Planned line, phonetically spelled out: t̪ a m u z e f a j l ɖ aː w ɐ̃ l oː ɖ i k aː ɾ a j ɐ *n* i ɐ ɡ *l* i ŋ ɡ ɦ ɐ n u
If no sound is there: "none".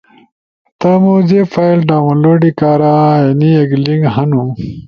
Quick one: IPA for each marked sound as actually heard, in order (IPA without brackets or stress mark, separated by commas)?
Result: n, l